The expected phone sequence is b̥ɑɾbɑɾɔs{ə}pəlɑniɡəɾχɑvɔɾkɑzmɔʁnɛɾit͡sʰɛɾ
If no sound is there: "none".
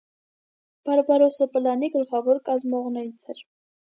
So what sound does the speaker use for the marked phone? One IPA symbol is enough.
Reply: ə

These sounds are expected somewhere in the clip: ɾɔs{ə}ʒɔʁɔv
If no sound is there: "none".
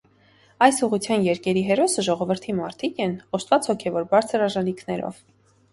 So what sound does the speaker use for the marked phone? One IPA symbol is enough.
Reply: ə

